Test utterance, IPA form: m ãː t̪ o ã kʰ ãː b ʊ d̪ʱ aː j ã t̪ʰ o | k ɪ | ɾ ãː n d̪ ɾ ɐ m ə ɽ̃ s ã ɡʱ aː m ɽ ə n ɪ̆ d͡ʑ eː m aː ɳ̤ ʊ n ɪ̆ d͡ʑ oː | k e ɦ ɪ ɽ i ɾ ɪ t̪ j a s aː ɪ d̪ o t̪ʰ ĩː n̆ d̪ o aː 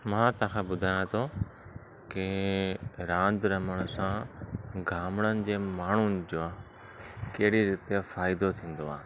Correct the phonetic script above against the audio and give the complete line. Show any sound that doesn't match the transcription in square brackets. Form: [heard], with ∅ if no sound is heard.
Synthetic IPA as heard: m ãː t̪ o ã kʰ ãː b ʊ d̪ʱ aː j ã t̪ʰ o | k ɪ | ɾ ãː n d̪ ɾ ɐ m ə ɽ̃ s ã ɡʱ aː m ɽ ə n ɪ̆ d͡ʑ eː m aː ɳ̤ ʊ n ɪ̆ d͡ʑ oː | k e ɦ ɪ ɽ i ɾ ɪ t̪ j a [f] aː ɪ d̪ o t̪ʰ ĩː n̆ d̪ o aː